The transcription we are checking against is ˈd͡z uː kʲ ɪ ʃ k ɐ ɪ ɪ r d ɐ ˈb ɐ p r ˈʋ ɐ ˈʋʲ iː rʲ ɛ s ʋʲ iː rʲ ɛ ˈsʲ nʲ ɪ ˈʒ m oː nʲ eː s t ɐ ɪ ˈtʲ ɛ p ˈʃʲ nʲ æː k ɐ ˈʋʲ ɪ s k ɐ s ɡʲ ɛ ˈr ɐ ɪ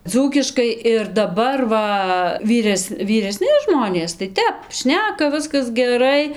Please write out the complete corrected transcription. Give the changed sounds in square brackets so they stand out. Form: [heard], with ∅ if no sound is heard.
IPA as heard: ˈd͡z uː kʲ ɪ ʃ k ɐ ɪ ɪ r d ɐ ˈb ɐ [∅] r ˈʋ ɐ ˈʋʲ iː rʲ ɛ s ʋʲ iː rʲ ɛ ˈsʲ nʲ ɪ ˈʒ m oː nʲ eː s t ɐ ɪ ˈtʲ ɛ p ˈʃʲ nʲ æː k ɐ ˈʋʲ ɪ s k ɐ s ɡʲ ɛ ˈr ɐ ɪ